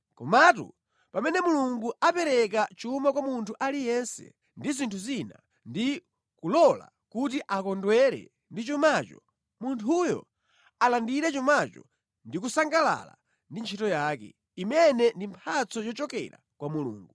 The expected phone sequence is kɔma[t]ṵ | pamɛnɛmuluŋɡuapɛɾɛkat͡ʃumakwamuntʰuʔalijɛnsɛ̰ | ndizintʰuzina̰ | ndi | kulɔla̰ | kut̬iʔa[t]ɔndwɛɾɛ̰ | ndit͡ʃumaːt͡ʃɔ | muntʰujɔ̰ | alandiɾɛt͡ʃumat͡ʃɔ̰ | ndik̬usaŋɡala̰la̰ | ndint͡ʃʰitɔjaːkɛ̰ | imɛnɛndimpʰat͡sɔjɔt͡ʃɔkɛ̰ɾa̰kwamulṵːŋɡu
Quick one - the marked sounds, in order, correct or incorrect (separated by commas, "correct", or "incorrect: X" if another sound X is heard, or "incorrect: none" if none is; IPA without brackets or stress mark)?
correct, incorrect: k